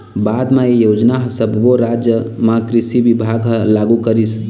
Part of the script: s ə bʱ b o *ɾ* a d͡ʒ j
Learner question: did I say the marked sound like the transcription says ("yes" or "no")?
yes